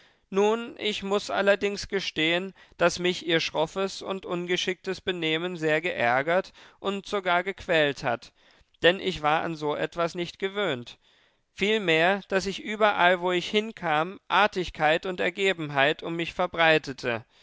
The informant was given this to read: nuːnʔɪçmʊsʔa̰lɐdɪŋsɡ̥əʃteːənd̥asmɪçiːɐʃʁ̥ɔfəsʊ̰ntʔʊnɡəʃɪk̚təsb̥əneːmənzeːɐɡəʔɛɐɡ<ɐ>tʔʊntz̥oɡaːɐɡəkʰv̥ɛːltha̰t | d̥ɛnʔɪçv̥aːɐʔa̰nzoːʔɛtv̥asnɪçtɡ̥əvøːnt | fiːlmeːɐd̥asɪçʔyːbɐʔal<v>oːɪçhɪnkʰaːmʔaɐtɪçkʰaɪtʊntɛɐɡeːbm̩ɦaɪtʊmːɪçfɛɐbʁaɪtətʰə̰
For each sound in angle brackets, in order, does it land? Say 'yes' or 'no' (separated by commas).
yes, yes